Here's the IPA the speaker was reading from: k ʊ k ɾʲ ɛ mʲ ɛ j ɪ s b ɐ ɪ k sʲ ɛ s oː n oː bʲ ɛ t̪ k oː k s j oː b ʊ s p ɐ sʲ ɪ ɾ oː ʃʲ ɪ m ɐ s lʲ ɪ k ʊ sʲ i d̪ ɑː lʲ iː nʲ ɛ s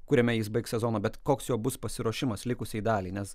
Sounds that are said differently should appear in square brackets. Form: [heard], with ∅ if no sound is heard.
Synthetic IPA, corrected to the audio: k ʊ [∅] ɾʲ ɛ mʲ ɛ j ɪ s b ɐ ɪ k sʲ ɛ [z] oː n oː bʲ ɛ t̪ k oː k s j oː b ʊ s p ɐ sʲ ɪ ɾ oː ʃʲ ɪ m ɐ s lʲ ɪ k ʊ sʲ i d̪ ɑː lʲ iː nʲ ɛ s